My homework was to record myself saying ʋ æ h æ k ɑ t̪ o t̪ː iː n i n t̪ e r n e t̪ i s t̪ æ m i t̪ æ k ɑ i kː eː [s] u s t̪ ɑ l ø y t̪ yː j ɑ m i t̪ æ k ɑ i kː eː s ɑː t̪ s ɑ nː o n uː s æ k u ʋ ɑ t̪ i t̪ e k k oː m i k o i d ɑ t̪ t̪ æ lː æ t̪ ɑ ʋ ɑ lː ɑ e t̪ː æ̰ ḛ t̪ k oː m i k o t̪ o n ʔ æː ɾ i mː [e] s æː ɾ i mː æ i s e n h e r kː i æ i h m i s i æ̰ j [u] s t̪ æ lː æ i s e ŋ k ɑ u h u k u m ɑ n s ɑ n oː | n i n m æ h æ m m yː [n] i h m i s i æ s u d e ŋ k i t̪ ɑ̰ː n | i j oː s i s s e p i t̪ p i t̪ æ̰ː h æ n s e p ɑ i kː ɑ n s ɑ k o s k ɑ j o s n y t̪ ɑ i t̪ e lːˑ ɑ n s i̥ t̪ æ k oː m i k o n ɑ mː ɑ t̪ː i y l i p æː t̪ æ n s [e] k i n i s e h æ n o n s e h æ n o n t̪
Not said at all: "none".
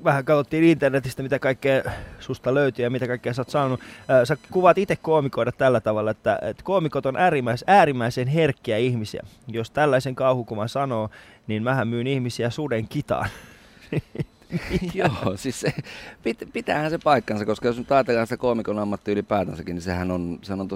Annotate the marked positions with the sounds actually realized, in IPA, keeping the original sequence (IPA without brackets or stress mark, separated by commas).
s, æ, o, n, æ